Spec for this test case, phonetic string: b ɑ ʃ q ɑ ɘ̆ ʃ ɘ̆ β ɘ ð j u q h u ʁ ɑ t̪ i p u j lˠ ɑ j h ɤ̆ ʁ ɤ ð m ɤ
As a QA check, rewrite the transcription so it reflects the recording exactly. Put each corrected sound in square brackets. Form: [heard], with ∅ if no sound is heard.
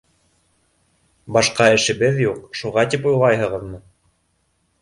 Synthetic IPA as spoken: b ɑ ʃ q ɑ ɘ̆ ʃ ɘ̆ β ɘ ð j u q [ʃ] u ʁ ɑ t̪ i p u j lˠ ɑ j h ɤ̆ ʁ ɤ ð m ɤ